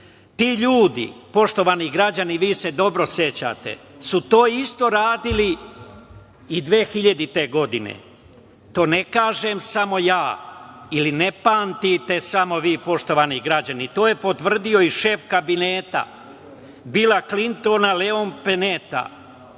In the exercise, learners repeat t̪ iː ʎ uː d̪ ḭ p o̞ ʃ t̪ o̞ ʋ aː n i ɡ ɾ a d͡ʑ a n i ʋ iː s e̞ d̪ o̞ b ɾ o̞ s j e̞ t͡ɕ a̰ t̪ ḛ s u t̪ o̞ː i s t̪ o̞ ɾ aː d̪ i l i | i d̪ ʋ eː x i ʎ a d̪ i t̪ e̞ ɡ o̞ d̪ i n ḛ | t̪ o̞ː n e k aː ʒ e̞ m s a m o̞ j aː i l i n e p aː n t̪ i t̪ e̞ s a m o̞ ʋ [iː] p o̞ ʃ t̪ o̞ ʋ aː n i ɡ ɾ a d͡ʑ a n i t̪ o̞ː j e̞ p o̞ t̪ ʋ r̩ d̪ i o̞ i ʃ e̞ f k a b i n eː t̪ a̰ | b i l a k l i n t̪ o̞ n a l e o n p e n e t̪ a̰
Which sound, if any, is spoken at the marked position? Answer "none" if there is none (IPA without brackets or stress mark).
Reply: iː